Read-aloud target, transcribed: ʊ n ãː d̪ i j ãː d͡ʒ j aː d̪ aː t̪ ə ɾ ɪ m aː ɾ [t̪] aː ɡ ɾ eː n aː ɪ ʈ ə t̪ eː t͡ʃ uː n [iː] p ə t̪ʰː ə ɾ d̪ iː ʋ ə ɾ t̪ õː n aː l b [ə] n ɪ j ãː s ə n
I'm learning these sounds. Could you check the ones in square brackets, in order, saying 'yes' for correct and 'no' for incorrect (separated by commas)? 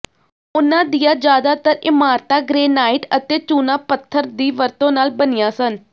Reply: yes, no, yes